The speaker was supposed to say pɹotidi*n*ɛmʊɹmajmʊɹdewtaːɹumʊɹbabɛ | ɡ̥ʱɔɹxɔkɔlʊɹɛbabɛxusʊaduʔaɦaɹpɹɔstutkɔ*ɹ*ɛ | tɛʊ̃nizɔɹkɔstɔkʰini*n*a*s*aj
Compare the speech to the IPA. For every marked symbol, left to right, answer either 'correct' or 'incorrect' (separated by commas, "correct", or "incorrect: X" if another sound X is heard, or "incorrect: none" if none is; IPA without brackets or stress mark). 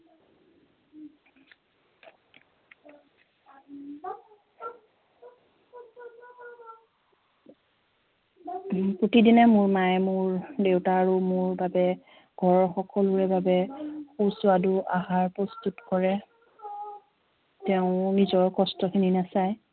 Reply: correct, correct, correct, correct